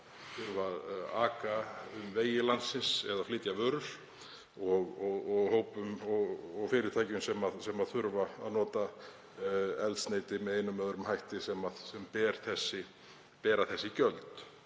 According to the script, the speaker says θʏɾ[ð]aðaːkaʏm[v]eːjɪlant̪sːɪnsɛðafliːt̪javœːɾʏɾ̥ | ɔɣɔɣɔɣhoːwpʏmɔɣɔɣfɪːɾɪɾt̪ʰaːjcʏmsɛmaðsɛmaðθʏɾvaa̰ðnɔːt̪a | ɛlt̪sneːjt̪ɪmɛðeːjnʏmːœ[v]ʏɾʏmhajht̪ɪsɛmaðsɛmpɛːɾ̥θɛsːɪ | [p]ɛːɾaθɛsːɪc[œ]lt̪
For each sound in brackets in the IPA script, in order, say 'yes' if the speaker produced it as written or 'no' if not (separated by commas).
no, yes, no, yes, yes